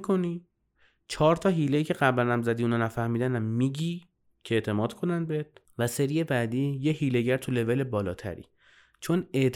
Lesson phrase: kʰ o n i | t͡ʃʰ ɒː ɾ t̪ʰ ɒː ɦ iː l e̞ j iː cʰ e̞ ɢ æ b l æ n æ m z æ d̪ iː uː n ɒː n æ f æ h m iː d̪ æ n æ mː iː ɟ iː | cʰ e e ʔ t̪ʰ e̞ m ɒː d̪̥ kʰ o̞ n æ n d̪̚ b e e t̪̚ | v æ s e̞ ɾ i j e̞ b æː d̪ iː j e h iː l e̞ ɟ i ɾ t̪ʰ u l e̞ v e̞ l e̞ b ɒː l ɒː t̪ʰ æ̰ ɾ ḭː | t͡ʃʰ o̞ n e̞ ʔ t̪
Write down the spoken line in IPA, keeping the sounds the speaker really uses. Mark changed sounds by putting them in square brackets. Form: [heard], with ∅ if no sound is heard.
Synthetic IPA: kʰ o n i | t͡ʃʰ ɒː ɾ t̪ʰ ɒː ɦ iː l e̞ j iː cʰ e̞ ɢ æ b l æ n æ m z æ d̪ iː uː n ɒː n æ f æ h m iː d̪ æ n æ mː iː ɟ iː | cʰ e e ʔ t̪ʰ e̞ m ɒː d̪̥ kʰ o̞ n æ n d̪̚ b e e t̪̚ | v æ s e̞ ɾ i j e̞ b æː d̪ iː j e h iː l e̞ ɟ [æ] ɾ t̪ʰ u l e̞ v e̞ l e̞ b ɒː l ɒː t̪ʰ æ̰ ɾ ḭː | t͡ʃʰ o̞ n e̞ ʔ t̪